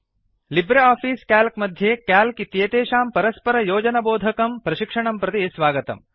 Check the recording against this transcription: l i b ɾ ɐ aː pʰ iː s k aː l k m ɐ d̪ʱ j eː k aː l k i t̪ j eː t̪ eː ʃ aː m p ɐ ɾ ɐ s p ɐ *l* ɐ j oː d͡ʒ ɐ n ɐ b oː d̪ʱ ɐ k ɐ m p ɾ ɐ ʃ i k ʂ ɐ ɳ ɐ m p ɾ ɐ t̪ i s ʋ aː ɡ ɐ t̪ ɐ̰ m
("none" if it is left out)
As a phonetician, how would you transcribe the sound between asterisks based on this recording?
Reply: ɾ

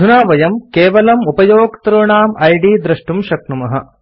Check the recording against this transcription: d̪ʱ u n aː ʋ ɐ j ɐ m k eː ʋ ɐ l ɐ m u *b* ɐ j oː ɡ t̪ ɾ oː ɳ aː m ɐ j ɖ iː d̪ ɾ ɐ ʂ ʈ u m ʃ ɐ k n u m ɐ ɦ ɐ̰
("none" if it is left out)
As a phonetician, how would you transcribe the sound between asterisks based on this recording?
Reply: p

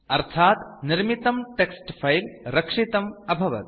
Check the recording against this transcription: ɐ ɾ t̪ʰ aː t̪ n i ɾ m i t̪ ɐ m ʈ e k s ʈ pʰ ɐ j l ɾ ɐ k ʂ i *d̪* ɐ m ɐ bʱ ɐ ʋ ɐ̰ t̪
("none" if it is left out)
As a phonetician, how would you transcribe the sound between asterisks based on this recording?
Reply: t̪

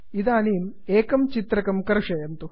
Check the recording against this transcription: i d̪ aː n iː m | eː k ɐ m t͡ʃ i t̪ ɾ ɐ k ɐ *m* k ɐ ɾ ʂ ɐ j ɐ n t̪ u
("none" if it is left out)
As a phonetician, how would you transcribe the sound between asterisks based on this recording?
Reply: m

